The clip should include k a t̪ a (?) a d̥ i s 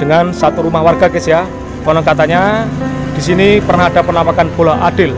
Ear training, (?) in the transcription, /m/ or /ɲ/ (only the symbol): ɲ